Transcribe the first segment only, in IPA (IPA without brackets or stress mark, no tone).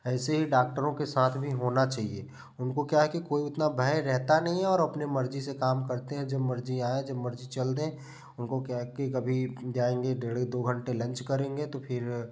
ɛː